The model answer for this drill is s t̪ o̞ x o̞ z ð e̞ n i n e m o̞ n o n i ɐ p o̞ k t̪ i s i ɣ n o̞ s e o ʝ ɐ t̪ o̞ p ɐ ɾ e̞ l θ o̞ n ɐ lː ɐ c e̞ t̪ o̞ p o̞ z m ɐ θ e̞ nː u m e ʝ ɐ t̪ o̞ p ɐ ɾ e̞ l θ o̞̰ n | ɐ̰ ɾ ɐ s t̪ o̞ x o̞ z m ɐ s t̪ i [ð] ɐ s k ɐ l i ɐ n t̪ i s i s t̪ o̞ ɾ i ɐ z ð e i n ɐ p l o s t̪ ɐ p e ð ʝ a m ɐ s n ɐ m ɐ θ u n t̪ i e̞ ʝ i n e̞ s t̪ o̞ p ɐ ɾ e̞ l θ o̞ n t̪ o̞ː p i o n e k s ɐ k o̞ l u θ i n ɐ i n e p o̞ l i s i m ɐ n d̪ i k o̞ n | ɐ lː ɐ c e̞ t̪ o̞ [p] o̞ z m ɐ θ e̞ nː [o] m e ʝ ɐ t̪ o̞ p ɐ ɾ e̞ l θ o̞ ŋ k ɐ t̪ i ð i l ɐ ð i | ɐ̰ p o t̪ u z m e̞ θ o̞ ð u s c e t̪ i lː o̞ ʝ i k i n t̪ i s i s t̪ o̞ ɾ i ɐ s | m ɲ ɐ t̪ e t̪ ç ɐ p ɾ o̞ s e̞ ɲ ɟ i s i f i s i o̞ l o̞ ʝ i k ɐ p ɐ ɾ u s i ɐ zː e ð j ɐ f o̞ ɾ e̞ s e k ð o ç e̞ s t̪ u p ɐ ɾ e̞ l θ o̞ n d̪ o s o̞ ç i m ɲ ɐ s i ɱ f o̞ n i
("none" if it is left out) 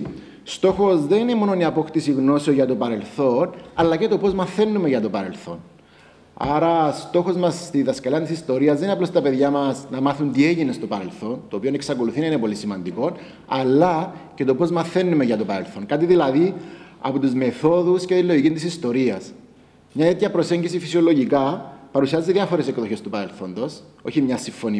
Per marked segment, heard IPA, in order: ð, p, u

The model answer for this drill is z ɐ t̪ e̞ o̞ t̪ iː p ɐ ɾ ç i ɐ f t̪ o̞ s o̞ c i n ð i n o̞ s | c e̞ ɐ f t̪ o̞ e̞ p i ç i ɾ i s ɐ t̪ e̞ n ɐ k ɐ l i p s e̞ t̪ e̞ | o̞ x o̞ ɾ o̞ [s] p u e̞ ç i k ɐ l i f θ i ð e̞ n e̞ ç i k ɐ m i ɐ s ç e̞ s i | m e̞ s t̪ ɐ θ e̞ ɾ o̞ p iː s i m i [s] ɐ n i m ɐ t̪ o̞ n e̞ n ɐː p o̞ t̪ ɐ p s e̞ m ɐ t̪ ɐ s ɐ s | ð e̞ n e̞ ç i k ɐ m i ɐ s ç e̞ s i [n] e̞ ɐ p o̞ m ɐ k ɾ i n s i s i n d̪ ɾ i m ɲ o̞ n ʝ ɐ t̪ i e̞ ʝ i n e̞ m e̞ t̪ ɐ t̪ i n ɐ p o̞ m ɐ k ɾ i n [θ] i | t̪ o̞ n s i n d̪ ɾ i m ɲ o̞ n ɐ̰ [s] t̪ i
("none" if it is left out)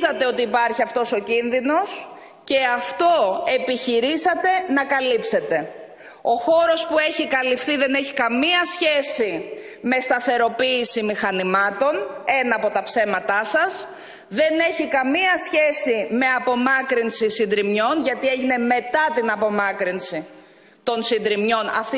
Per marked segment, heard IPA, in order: s, x, m, s, f

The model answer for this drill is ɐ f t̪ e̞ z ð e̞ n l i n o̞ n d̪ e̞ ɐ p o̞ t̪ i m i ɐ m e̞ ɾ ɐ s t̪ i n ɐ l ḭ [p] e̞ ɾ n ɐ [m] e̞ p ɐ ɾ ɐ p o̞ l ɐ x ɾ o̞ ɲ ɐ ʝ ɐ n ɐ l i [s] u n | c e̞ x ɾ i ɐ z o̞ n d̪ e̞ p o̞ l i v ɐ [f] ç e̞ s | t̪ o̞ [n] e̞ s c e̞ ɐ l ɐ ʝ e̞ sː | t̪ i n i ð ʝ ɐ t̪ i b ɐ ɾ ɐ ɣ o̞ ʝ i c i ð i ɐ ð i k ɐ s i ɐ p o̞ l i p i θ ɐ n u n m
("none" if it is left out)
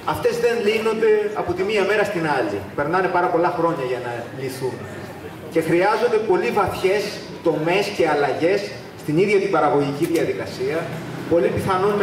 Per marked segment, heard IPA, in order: p, n, θ, θ, m

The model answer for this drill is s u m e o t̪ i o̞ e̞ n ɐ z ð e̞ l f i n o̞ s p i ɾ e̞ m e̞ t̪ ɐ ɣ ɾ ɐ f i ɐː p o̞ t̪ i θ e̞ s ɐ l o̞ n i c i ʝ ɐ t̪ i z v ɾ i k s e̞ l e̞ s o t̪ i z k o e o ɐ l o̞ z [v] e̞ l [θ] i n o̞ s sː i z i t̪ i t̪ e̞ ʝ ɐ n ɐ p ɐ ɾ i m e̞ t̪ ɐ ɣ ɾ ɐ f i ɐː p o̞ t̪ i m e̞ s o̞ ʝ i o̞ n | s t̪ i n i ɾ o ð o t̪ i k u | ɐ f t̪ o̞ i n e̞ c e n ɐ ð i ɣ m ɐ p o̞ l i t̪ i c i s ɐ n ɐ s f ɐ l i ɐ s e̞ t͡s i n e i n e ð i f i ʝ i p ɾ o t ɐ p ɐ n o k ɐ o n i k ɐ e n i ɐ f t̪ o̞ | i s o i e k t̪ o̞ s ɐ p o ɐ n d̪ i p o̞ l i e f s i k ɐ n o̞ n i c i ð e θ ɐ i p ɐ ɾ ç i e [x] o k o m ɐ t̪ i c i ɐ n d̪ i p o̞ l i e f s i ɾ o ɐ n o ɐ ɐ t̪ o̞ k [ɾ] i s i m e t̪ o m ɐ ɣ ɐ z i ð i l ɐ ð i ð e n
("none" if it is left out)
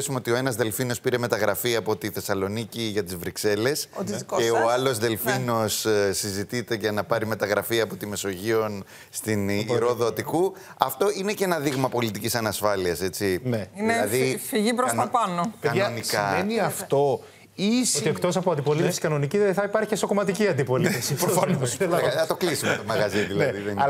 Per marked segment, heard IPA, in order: ð, f, s, l

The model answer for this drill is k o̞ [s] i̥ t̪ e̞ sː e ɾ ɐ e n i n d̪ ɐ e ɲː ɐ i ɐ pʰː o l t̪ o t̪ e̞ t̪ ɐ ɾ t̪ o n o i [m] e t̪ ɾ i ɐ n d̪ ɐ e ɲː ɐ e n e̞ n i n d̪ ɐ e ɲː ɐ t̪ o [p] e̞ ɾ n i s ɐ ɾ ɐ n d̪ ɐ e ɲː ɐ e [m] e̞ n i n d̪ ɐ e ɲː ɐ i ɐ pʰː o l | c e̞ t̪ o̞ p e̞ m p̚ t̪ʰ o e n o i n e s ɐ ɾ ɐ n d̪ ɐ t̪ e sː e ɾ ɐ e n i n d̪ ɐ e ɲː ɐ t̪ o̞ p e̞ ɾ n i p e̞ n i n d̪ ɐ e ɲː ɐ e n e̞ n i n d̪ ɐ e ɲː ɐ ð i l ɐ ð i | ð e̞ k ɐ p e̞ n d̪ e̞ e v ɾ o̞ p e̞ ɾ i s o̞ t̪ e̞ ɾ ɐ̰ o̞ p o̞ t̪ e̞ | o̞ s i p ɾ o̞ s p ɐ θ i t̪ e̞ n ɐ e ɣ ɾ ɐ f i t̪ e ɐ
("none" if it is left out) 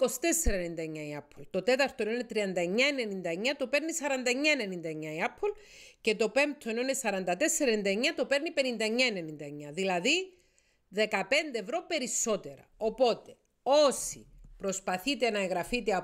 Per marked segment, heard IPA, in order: s, n, p, n

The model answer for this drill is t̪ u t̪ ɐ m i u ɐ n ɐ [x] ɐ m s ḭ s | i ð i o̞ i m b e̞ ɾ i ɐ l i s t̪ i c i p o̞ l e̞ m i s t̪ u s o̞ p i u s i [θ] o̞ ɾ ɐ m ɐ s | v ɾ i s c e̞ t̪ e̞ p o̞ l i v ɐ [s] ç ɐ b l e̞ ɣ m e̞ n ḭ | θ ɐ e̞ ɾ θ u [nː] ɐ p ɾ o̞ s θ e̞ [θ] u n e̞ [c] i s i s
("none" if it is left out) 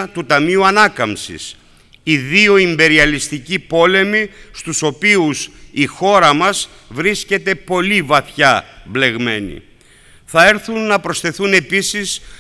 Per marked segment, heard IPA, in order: k, x, θ, nː, θ, p

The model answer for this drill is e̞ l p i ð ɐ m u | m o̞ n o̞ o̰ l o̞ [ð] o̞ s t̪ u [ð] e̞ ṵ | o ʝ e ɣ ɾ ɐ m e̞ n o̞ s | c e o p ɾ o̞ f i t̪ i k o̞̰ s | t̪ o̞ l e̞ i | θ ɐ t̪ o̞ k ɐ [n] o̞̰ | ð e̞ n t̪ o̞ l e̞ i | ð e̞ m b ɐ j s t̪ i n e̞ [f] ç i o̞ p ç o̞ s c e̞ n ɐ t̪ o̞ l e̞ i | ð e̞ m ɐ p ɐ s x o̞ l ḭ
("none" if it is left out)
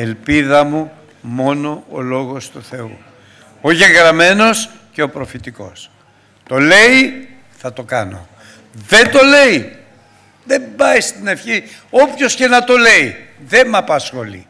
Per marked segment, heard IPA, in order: ɣ, θ, n, f

